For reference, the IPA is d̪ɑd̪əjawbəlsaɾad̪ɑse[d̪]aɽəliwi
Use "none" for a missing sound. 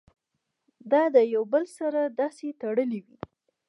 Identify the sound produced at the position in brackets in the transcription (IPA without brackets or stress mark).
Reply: t̪